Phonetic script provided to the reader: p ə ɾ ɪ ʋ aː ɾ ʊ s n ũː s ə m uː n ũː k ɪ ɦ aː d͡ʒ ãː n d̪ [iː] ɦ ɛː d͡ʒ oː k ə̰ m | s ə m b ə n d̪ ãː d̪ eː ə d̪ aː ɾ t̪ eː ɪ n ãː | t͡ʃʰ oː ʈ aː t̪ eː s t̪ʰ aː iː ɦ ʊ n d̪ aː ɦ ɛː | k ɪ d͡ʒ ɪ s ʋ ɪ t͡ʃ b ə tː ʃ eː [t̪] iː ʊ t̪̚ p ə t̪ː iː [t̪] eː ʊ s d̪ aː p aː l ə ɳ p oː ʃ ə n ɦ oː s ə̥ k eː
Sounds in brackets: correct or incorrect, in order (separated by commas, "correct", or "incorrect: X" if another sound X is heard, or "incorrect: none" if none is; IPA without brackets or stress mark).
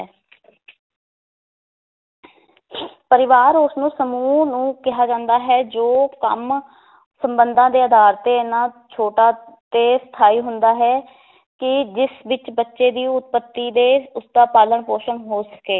incorrect: aː, incorrect: d̪, incorrect: d̪